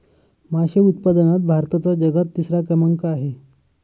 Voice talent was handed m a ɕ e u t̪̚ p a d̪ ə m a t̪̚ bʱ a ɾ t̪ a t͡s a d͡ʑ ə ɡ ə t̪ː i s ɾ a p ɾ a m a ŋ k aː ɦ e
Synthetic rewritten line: m a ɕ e u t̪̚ p a d̪ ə n a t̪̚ bʱ a ɾ t̪ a t͡s a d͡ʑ ə ɡ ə t̪ː i s ɾ a k ɾ ə m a ŋ k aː ɦ e